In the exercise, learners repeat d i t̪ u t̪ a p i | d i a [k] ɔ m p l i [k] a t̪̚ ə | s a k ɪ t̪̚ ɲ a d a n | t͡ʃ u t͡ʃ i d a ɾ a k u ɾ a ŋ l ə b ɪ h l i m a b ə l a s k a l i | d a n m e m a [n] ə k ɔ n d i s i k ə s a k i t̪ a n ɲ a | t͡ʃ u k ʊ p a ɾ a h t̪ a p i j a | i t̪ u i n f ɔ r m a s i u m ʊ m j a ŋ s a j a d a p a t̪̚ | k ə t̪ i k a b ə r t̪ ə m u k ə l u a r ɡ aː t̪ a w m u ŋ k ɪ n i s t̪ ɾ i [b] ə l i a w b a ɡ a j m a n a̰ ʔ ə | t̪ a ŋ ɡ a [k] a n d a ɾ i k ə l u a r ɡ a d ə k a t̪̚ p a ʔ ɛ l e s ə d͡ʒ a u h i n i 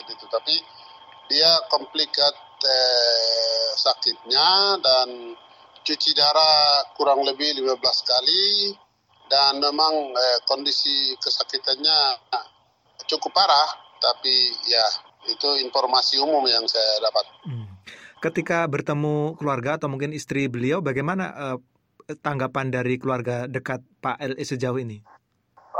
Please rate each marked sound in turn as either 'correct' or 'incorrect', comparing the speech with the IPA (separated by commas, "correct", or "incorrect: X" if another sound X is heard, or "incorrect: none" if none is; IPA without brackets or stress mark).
correct, correct, incorrect: ŋ, correct, incorrect: p